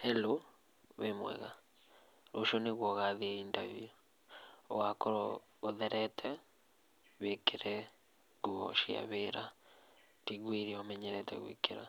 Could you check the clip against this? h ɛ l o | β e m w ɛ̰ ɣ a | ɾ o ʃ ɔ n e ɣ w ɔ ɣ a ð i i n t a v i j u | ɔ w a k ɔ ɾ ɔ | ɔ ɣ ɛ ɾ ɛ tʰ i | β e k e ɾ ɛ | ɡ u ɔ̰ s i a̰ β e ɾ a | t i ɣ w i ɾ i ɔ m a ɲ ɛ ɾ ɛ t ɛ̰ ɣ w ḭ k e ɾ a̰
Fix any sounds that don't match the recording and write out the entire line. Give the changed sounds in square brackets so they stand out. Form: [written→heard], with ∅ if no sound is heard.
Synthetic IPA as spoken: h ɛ l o | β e m w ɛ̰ ɣ a | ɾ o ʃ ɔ n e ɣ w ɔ ɣ a ð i i n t a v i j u | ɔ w a k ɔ ɾ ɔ | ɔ [ɣ→ð] ɛ ɾ ɛ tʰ [i→ɛ] | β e k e ɾ ɛ | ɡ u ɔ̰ [s→ʃ] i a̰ β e ɾ a | t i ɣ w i ɾ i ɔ m [a→ɛ] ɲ ɛ ɾ ɛ t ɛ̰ ɣ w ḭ k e ɾ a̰